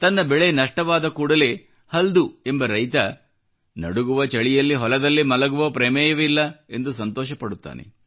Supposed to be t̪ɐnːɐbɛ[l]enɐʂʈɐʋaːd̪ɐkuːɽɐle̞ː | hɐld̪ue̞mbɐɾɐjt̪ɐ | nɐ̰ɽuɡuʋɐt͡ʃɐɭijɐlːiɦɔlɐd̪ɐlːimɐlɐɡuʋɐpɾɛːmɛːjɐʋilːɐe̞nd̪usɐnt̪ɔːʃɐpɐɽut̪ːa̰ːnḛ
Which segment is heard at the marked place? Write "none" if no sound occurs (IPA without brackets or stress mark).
ɭ